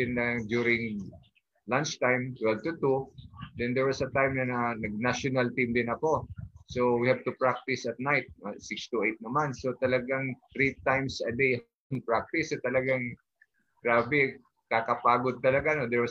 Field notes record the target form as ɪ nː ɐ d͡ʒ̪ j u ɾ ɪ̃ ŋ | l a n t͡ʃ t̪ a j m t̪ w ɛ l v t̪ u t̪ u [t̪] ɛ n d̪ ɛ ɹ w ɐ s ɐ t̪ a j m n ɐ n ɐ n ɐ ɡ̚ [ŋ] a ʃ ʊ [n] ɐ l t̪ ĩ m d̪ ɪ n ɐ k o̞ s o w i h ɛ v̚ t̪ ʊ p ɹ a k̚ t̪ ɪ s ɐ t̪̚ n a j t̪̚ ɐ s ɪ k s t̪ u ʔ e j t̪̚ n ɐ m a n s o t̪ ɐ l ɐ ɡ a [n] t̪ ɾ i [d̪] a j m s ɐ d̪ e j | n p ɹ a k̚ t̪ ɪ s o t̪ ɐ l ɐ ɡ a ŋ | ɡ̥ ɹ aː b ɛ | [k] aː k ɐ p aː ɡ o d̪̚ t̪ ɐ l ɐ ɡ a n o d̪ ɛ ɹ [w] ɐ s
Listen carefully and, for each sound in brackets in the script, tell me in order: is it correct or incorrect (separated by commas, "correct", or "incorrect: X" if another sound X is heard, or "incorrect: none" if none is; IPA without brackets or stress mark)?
incorrect: d̪, incorrect: n, correct, incorrect: ŋ, incorrect: t̪, correct, correct